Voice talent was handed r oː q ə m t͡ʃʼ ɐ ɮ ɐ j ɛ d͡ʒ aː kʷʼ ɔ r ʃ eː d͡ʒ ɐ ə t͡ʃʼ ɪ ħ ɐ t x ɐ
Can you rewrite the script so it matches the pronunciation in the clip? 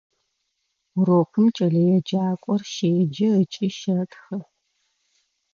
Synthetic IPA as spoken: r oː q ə m t͡ʃʼ ɐ ɮ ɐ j ɛ d͡ʒ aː kʷʼ ɔ r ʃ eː d͡ʒ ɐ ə t͡ʃʼ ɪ ʃ ɐ t x ɐ